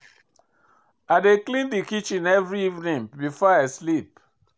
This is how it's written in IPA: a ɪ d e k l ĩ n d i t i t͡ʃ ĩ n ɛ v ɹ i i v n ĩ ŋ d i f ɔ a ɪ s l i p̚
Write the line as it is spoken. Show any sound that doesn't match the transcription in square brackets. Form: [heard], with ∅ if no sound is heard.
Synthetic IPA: a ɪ d e k l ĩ n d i [k] i t͡ʃ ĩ n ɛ v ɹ i i v n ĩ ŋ [b] i f ɔ a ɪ s l i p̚